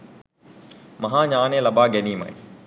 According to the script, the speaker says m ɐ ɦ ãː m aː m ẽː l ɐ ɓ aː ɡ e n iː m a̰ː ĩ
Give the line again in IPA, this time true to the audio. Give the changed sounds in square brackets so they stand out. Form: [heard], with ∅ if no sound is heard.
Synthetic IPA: m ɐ ɦ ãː [ɲ] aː [n] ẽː l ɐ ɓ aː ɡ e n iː m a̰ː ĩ